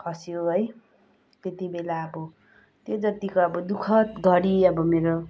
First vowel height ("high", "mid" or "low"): mid